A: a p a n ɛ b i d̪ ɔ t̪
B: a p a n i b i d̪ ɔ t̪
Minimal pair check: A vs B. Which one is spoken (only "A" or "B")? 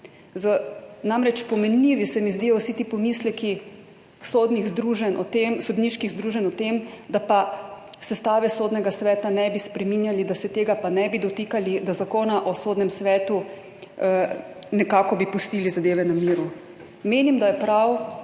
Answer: A